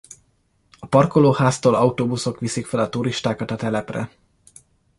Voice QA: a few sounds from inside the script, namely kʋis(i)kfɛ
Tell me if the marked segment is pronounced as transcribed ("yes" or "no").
yes